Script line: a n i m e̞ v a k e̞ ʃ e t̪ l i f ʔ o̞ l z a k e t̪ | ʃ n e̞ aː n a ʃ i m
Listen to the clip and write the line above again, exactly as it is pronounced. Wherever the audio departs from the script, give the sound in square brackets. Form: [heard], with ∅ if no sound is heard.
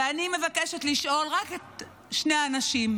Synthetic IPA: a n i m e̞ v a k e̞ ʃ e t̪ l i [ʃ] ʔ o̞ l [ʁ] a k e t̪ | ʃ n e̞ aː n a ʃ i m